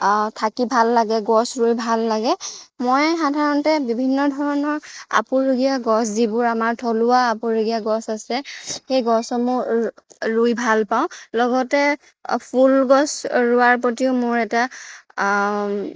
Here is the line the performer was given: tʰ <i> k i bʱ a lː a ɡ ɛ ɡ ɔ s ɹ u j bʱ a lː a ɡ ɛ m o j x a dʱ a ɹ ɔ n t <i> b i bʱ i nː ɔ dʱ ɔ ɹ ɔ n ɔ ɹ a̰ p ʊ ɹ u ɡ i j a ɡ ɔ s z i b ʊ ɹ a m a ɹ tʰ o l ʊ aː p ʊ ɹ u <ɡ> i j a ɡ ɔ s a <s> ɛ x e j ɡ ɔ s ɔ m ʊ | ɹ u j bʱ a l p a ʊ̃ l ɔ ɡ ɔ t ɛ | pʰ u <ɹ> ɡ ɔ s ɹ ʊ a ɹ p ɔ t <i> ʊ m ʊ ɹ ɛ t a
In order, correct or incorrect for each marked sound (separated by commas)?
incorrect, incorrect, correct, correct, incorrect, correct